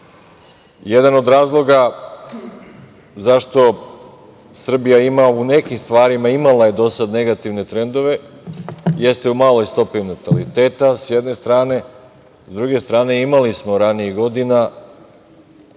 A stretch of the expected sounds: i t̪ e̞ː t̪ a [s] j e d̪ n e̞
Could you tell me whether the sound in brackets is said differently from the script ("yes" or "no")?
no